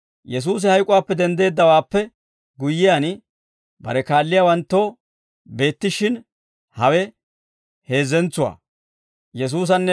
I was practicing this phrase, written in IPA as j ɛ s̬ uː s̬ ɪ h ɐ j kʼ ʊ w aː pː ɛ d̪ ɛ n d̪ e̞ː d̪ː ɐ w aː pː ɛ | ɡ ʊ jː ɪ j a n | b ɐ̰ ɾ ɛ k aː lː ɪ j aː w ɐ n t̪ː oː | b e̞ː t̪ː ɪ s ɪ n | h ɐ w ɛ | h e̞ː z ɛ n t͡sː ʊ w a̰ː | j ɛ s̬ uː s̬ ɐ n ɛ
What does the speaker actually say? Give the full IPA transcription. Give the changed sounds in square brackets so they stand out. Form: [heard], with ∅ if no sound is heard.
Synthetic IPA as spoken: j ɛ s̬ uː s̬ ɪ h ɐ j kʼ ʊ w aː pː ɛ d̪ ɛ n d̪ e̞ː d̪ː ɐ w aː pː ɛ | ɡ ʊ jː ɪ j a n | b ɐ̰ ɾ ɛ k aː lː ɪ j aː w ɐ n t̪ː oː | b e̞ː t̪ː ɪ [ʃ] ɪ n | h ɐ w ɛ | h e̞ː z ɛ n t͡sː ʊ w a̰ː | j ɛ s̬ uː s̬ ɐ [nː] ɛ